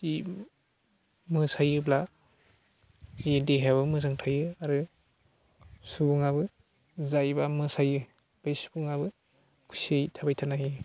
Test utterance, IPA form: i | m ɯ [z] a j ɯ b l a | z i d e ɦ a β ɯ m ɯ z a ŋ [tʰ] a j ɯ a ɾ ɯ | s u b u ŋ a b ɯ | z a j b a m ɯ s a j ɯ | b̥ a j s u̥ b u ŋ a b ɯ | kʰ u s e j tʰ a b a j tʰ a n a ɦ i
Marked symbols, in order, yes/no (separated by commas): no, yes